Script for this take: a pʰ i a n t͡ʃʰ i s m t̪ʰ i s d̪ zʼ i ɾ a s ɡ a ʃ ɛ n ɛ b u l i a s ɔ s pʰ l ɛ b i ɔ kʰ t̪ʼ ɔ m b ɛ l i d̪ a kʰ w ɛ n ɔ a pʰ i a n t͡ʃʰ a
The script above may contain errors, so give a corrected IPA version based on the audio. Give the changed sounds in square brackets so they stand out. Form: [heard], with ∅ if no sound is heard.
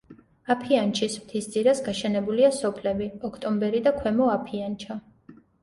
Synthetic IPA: a pʰ i a n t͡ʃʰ i s m t̪ʰ i s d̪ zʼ i ɾ a s ɡ a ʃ ɛ n ɛ b u l i a s ɔ [∅] pʰ l ɛ b i ɔ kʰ t̪ʼ ɔ m b ɛ [ɾ] i d̪ a kʰ w ɛ [m] ɔ a pʰ i a n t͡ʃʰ a